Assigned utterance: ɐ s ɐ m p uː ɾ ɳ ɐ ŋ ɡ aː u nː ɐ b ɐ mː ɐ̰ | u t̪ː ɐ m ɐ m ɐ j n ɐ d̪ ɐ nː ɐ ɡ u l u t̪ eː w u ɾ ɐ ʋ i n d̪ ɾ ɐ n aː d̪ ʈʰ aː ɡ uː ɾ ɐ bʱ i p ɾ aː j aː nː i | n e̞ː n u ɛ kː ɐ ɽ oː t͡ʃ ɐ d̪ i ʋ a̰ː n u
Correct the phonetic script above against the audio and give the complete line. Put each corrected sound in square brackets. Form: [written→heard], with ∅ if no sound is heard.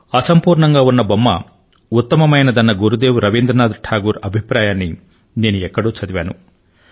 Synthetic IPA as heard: ɐ s ɐ m p uː ɾ ɳ ɐ ŋ ɡ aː u nː ɐ b ɐ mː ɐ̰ | u t̪ː ɐ m ɐ m ɐ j n ɐ d̪ ɐ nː ɐ ɡ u [l→ɾ] u [t̪→d̪] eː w u ɾ ɐ ʋ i n d̪ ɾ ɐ n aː d̪ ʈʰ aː ɡ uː ɾ ɐ bʱ i p ɾ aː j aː nː i | n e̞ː n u ɛ kː ɐ ɽ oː t͡ʃ ɐ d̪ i ʋ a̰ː n u